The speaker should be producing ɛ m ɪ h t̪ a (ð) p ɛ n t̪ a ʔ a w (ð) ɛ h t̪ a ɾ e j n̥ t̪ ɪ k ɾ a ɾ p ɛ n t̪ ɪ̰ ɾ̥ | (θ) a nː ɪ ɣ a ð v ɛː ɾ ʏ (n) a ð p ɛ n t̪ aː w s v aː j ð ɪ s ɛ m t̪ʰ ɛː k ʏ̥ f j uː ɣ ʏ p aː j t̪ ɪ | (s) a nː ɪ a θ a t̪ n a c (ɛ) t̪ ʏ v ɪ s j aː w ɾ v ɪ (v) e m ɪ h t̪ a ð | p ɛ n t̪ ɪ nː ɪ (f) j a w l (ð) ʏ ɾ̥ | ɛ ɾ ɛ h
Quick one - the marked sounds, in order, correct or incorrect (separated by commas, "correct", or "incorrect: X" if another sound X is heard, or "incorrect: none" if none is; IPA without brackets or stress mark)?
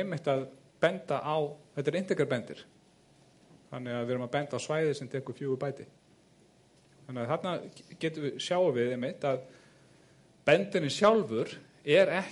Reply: correct, incorrect: θ, correct, incorrect: m, incorrect: θ, incorrect: ɛː, incorrect: ð, incorrect: s, incorrect: v